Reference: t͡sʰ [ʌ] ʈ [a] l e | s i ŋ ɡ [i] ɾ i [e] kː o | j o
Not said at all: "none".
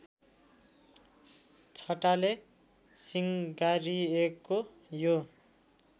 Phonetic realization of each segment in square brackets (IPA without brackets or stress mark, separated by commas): ʌ, a, a, e